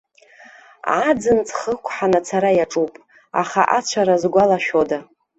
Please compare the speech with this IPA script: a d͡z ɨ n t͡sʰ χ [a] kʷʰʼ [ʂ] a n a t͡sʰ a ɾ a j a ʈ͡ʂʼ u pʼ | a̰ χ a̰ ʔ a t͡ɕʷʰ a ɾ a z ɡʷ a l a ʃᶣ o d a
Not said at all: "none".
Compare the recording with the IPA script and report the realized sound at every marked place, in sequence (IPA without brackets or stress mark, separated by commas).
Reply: ə, ħ